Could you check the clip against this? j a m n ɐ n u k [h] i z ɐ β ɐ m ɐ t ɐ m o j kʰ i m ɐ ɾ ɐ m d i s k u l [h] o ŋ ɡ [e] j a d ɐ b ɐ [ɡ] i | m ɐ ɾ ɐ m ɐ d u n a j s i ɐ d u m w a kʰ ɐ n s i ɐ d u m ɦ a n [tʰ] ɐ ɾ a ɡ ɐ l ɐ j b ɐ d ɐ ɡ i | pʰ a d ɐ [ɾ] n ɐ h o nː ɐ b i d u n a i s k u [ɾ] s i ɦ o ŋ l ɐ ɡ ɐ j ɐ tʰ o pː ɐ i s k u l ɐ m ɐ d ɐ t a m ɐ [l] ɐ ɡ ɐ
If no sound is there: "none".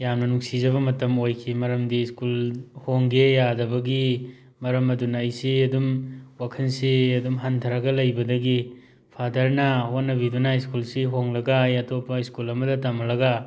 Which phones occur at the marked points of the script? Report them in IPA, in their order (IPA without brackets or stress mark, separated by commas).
s, h, e, ɡ, tʰ, ɾ, l, l